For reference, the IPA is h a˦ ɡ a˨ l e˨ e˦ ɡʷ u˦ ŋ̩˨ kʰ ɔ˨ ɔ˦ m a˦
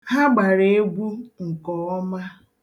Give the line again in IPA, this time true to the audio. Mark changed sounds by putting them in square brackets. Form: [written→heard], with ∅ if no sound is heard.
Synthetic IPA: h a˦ [ɡ→ɡ͡b] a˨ [l→ɾ] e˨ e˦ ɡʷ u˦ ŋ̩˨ [kʰ→k] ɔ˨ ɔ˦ m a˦